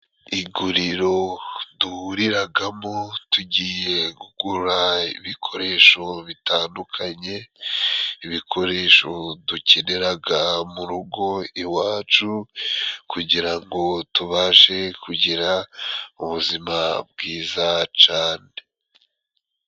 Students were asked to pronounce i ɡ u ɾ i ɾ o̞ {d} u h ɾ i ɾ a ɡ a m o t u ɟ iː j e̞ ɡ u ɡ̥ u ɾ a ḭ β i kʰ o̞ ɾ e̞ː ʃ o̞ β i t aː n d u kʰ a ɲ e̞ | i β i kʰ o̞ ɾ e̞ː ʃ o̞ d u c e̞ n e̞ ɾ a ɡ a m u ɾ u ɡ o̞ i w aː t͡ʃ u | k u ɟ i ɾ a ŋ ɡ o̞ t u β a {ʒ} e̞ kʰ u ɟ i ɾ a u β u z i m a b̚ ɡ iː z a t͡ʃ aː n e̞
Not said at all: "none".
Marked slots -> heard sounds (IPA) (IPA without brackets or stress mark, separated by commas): d, ʃ